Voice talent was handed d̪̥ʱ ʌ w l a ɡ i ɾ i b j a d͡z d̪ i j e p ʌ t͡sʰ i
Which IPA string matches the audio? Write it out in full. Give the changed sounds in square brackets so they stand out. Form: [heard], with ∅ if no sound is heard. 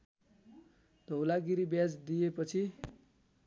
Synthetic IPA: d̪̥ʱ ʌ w l a ɡ i ɾ i b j a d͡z d̪ i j e p ʌ t͡sʰ i